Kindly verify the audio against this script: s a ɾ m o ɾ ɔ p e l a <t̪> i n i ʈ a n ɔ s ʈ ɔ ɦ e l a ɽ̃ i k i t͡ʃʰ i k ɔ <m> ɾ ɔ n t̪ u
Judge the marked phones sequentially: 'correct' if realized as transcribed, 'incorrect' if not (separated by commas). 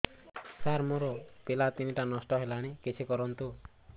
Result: correct, incorrect